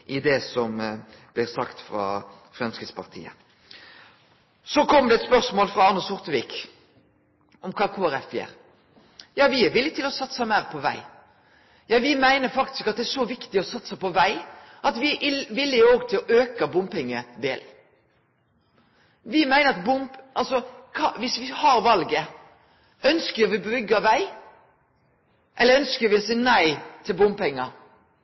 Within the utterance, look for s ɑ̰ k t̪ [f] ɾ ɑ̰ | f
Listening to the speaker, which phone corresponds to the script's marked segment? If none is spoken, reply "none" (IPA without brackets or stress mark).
f